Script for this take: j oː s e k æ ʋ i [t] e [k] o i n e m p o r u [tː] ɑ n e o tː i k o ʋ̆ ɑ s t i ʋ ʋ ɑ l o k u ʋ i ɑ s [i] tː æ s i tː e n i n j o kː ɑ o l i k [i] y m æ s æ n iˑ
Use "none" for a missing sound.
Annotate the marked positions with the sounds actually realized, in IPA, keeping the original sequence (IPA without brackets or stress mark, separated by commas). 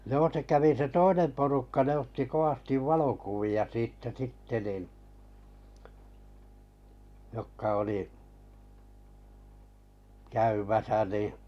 s, t, kː, iː, æ